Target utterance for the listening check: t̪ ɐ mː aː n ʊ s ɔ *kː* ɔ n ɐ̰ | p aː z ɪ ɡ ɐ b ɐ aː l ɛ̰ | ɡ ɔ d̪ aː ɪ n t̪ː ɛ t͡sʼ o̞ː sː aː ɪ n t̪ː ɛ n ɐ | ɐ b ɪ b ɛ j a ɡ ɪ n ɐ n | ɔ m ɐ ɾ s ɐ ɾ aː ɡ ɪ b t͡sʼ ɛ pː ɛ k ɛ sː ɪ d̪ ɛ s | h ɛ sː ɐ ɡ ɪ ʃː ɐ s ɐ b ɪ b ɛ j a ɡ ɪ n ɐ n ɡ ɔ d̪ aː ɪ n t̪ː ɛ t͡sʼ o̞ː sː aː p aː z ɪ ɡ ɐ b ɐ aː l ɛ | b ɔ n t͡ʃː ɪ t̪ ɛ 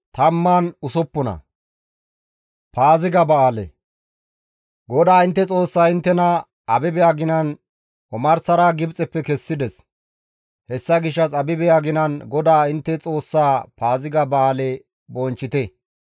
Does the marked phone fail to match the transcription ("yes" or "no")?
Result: yes